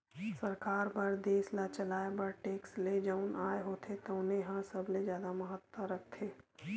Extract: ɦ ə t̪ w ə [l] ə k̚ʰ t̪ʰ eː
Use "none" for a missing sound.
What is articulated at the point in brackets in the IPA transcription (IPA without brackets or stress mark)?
ɾ